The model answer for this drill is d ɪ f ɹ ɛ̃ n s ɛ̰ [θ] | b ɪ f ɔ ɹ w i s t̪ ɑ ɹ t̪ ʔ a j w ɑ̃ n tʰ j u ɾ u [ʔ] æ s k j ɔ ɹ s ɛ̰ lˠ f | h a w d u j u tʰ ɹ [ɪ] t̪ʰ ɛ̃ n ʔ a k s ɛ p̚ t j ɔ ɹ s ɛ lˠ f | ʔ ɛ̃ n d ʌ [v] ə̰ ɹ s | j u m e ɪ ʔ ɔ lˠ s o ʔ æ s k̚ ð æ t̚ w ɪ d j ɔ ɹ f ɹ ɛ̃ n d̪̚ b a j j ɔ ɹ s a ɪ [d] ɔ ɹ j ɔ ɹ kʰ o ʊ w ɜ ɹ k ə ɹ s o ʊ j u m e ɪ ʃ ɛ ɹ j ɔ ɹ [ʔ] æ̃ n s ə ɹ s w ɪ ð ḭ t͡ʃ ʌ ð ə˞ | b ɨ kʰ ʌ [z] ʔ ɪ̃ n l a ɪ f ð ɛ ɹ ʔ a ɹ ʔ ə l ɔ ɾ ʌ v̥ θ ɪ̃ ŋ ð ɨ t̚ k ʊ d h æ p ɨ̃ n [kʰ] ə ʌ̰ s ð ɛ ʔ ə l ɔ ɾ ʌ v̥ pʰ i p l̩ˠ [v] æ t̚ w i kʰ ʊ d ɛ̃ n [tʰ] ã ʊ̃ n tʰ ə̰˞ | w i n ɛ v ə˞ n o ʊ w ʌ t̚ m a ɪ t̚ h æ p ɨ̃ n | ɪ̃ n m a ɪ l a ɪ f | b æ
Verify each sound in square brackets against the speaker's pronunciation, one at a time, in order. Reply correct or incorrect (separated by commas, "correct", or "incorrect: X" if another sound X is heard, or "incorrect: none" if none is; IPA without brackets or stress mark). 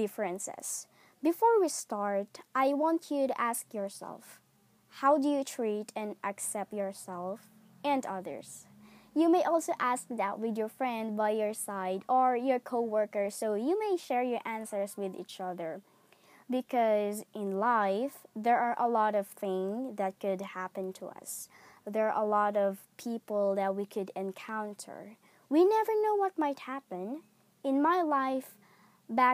incorrect: s, correct, incorrect: i, incorrect: ð, correct, correct, correct, incorrect: tʰ, incorrect: ð, incorrect: kʰ